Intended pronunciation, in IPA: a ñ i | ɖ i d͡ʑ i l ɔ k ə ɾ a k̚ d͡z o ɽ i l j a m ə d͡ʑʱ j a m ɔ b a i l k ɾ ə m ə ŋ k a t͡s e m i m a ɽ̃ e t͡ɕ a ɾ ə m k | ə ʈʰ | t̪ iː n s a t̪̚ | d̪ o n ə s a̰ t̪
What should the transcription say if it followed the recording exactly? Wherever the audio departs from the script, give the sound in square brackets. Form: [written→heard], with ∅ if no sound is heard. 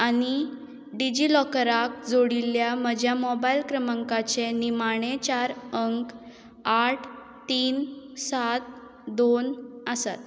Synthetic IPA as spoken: a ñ i | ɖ i d͡ʑ i l ɔ k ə ɾ a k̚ d͡z o ɽ i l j a m ə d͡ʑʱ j a m ɔ b a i l k ɾ ə m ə ŋ k a t͡s e [m→n] i m a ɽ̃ e t͡ɕ a ɾ ə [m→ŋ] k | [ə→a] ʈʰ | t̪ iː n s a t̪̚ | d̪ o n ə s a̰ t̪